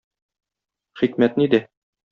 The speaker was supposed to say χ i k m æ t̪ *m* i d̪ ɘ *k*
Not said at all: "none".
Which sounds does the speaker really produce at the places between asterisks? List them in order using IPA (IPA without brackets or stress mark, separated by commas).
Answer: n, none